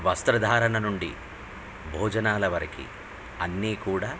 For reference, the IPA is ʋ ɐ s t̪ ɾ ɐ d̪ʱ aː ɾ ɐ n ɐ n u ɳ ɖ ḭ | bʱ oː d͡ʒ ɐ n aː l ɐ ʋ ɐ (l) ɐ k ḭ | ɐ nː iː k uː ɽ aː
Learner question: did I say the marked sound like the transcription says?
no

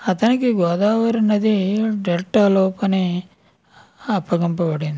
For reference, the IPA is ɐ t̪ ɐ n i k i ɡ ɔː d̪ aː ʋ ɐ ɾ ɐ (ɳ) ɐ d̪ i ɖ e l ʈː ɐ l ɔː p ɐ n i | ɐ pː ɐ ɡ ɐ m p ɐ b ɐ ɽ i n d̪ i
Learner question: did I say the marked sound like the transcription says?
no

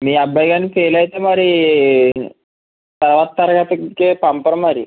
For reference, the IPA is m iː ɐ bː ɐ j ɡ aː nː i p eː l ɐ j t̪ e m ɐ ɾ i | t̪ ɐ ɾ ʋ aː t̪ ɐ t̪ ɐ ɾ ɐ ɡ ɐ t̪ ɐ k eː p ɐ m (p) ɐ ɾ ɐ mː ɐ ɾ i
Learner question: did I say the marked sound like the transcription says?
yes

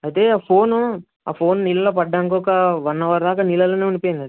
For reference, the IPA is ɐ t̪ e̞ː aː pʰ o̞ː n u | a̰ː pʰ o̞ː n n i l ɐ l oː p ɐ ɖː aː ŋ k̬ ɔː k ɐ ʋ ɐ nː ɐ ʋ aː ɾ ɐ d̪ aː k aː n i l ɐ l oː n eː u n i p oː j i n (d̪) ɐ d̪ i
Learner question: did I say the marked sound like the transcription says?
yes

